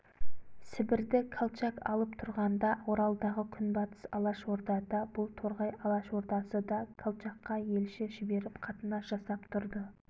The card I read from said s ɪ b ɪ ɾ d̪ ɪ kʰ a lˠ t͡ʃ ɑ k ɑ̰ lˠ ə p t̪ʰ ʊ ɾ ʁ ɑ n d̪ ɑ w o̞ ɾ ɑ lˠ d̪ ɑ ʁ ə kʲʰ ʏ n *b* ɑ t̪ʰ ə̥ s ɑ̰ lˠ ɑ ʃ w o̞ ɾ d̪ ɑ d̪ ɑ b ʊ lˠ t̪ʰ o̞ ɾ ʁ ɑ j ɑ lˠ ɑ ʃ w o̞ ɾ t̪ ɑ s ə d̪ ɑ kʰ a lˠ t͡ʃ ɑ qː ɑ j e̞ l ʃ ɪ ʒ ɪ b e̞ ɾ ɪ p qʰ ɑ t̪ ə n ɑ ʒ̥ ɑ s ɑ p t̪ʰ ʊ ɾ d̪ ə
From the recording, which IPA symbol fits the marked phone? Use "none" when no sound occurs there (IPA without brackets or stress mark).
b